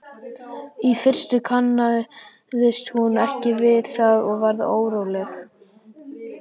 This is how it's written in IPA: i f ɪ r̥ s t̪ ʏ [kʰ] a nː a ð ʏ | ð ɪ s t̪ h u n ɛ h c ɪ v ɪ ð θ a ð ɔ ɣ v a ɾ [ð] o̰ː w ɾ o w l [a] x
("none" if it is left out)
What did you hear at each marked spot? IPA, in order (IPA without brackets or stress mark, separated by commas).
kʰ, ð, ɛ